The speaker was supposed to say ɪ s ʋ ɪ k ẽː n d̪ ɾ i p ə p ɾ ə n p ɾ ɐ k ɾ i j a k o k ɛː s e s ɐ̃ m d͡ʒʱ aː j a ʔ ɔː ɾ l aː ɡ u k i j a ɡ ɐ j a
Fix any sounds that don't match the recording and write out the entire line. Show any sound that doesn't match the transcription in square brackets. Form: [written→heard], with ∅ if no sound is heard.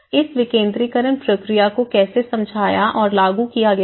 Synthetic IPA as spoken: ɪ s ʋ ɪ k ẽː n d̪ ɾ i [p→k] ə [p→∅] ɾ ə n p ɾ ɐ k ɾ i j a k o k ɛː s e s ɐ̃ m d͡ʒʱ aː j a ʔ ɔː ɾ l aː ɡ u k i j a ɡ ɐ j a

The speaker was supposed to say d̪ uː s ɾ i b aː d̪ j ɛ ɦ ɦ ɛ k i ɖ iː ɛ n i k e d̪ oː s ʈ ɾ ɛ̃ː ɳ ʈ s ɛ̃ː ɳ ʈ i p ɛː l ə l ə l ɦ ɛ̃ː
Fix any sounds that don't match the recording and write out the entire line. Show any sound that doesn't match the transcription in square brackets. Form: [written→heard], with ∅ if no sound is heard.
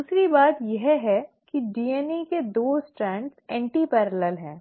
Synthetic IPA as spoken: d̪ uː s ɾ i b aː [d̪→t̪] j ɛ ɦ ɦ ɛ k i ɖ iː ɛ n i k e d̪ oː s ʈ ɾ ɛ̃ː ɳ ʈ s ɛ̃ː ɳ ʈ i p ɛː [l→ɾ] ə l ə l ɦ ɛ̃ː

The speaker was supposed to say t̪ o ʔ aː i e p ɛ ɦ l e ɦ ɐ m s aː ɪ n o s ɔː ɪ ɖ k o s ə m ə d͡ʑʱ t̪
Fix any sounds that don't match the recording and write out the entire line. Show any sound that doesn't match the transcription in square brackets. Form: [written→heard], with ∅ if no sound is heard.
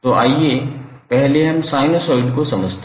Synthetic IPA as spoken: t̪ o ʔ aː i e p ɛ ɦ l e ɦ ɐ m s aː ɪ n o s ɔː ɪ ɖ k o s [ə→ɐ] m ə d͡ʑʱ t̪

